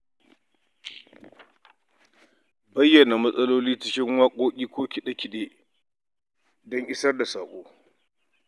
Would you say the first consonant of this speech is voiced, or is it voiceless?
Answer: voiced